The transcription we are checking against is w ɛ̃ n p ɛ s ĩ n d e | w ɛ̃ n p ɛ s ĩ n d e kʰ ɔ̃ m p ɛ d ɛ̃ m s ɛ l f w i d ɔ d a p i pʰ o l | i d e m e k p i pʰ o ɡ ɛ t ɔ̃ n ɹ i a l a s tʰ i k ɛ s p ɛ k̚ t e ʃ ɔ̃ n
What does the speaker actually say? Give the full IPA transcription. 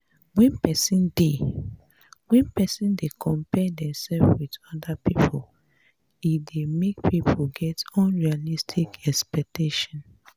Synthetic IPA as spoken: w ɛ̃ n p ɛ s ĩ n d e | w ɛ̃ n p ɛ s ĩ n d e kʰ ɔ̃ m p ɛ d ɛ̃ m s ɛ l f w i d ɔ d a p i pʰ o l | i d e m e k p i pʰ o ɡ ɛ t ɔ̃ n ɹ i a l i s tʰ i k ɛ s p ɛ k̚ t e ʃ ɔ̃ n

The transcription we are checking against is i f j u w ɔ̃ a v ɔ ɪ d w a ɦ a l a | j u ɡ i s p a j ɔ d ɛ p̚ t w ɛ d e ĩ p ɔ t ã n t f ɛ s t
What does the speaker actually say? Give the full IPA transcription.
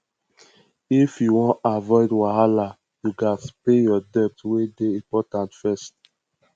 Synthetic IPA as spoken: i f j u w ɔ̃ a v ɔ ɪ d w a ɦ a l a | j u ɡ a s p e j ɔ d ɛ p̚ t w e d e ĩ p ɔ t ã n t f ɛ s t

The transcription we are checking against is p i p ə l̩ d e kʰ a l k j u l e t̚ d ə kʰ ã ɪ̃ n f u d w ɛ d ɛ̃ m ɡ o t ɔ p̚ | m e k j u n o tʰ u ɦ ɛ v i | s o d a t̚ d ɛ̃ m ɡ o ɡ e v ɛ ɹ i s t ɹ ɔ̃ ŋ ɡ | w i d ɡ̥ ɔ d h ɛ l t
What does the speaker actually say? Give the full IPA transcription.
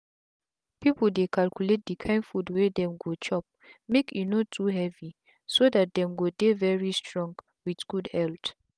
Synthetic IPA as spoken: p i p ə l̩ d e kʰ a l k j u l e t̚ d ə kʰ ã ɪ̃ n f u d w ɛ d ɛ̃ m ɡ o t͡ʃ ɔ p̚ | m e k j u n o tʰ u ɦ ɛ v i | s o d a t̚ d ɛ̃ m ɡ o d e v ɛ ɹ i s t ɹ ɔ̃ ŋ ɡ | w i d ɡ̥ u d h ɛ l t

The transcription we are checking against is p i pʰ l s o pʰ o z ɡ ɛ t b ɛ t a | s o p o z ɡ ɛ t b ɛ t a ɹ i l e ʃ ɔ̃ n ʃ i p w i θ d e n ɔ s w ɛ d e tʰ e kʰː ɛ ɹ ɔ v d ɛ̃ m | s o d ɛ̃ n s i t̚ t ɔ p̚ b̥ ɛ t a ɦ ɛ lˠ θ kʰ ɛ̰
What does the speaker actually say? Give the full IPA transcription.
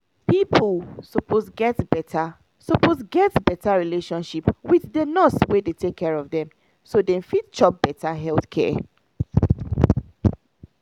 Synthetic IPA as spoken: p i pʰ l s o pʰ o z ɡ ɛ t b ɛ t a | s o p o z ɡ ɛ t b ɛ t a ɹ i l e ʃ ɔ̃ n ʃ i p w i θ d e n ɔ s w e d e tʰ e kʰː ɛ ɹ ɔ v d ɛ̃ m | s o d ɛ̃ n f i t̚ t͡ʃ ɔ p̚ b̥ ɛ t a ɦ ɛ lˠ θ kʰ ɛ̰

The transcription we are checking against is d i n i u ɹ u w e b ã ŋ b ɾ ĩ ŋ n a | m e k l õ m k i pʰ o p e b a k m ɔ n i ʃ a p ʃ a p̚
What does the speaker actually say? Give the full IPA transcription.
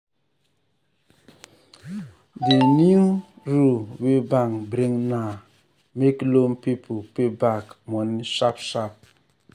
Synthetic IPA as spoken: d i n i u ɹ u w e b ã ŋ b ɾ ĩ ŋ n a | m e k l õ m p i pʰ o p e b a k m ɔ n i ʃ a p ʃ a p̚

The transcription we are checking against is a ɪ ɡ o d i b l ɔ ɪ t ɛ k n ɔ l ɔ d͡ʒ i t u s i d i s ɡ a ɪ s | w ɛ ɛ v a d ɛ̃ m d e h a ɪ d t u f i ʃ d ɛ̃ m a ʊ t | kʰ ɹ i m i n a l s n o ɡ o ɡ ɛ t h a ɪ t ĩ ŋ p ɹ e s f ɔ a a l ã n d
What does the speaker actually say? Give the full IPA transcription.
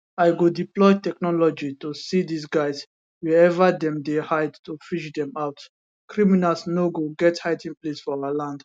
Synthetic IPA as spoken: a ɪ ɡ o d i p l ɔ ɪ t ɛ k n ɔ l ɔ d͡ʒ i t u s i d i s ɡ a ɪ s | w ɛ ɛ v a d ɛ̃ m d e h a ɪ d t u f i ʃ d ɛ̃ m a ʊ t | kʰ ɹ i m i n a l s n o ɡ o ɡ ɛ t h a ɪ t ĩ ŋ p l e s f ɔ a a l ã n d

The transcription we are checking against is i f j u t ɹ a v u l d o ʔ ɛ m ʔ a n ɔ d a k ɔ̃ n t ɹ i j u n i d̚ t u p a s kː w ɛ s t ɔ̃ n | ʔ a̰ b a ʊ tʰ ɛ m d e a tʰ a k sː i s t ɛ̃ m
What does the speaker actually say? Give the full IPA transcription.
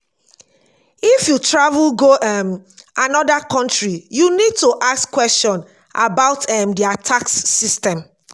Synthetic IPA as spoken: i f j u t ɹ a v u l ɡ o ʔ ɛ m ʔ a n ɔ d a k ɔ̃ n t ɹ i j u n i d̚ t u ʔ a s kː w ɛ s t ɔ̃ n | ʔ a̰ b a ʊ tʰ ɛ m d i a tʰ a k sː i s t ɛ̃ m

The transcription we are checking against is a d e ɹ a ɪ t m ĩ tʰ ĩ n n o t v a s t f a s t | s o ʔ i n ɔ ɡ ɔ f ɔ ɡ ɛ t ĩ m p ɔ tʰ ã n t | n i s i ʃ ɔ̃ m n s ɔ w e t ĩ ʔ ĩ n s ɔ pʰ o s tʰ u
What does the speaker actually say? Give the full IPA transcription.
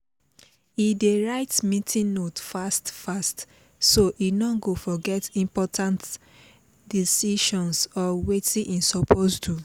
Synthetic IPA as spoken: i d e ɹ a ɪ t m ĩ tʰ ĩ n n o t f a s t f a s t | s o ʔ i n ɔ ɡ o f ɔ ɡ ɛ t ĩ m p ɔ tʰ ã n t | d i s i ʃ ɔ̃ n s ɔ w e t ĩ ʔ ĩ n s ɔ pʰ o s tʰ u

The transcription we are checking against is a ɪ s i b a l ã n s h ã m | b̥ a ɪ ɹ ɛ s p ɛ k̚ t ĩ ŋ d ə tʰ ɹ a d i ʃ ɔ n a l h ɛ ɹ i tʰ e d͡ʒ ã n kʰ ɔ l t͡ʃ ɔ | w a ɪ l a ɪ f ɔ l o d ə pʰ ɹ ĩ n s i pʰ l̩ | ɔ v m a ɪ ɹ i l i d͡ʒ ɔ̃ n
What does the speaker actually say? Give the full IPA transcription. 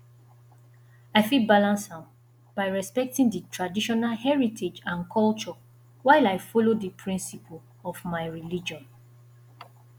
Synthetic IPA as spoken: a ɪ f i b a l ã n s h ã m | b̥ a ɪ ɹ ɛ s p ɛ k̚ t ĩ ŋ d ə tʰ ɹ a d i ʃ ɔ n a l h ɛ ɹ i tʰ e d͡ʒ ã n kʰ ɔ l t͡ʃ ɔ | w a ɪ l a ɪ f ɔ l o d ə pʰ ɹ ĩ n s i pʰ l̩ | ɔ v m a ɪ ɹ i l i d͡ʒ ɔ̃ n

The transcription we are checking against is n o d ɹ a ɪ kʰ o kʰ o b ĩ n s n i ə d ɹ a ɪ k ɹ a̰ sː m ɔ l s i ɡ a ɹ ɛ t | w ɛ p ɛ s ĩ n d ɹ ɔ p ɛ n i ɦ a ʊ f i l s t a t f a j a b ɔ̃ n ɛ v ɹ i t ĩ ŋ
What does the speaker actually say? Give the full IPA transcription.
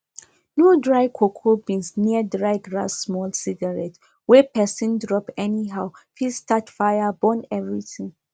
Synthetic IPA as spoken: n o d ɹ a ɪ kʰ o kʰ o b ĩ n s n i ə d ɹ a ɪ ɡ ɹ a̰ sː m ɔ l s i ɡ a ɹ ɛ t | w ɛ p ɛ s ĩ n d ɹ ɔ p ɛ n i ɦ a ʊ f i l s t a t f a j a b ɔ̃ n ɛ v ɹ i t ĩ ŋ

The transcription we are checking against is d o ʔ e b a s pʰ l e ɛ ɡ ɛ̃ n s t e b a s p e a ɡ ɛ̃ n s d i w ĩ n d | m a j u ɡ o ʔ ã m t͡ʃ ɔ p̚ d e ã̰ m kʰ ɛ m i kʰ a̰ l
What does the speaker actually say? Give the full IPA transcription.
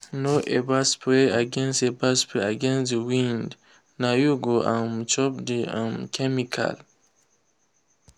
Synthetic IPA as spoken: n o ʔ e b a s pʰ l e a ɡ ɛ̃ n s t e b a s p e a ɡ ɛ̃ n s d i w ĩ n d | n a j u ɡ o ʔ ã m t͡ʃ ɔ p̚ d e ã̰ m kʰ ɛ m i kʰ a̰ l

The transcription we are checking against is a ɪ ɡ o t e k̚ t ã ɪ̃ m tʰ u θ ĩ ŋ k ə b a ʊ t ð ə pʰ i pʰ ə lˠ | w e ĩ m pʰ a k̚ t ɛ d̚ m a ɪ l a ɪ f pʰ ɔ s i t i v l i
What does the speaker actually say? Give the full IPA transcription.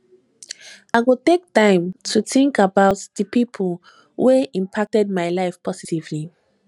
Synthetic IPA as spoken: a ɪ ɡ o t e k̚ t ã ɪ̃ m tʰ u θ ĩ ŋ k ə b a ʊ t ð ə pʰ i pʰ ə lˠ | w e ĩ m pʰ a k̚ t ɛ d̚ m a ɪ l a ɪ f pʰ ɔ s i t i v l i

